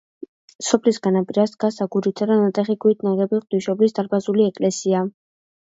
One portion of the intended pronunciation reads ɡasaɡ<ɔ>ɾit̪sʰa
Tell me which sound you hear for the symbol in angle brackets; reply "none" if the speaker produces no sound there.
u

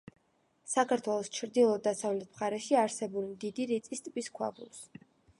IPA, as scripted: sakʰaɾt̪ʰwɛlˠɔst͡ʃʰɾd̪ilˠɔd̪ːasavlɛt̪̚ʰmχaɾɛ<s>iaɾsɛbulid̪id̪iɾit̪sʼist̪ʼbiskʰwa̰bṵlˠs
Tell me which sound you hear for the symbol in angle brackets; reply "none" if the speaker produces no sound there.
ʃ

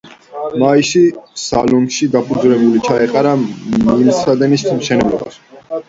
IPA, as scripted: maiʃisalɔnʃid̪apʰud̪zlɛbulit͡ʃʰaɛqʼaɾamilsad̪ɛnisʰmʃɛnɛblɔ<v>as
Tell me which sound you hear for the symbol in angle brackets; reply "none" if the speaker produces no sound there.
b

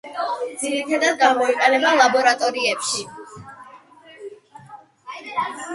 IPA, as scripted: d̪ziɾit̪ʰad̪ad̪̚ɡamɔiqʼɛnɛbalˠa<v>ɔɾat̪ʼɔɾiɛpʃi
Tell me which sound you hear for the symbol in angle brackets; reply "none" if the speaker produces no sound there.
b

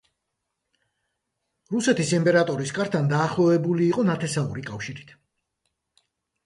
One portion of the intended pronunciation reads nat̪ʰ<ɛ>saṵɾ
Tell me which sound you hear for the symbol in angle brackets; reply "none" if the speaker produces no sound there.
ɛ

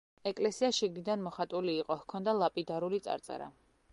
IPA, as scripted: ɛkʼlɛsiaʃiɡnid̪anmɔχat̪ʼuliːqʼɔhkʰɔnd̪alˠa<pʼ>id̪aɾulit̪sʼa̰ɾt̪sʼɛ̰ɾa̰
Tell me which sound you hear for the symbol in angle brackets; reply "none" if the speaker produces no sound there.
pʼ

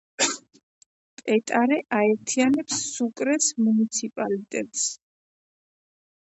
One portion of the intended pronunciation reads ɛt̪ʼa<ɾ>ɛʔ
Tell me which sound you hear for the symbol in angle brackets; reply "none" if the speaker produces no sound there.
ɾ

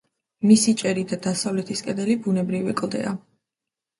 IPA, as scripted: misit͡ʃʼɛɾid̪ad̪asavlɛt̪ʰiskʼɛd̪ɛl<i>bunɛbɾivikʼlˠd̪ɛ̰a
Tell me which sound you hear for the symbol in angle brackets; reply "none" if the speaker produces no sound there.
i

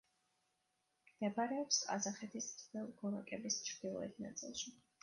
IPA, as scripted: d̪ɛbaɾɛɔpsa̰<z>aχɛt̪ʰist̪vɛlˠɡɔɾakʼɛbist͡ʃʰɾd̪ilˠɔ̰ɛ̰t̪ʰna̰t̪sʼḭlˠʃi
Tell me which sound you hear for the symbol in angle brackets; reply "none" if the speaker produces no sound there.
z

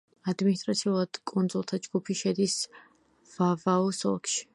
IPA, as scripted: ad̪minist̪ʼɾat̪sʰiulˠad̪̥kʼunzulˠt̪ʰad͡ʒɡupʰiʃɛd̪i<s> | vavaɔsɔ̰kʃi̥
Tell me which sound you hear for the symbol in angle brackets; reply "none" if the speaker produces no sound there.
s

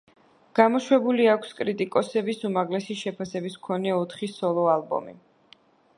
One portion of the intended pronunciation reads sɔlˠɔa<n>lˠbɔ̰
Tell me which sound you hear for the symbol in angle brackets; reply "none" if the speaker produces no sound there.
none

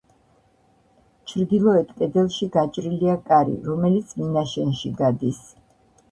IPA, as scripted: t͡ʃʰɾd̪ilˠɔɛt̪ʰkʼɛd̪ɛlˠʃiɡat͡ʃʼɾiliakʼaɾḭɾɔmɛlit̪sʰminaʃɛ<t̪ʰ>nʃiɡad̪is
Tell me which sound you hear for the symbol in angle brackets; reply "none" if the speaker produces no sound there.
none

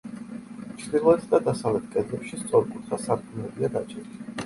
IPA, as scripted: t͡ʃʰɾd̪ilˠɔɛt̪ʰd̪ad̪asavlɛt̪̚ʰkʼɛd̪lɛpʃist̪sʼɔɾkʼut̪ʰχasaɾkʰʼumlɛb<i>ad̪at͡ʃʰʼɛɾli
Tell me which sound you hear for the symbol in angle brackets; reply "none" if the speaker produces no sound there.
i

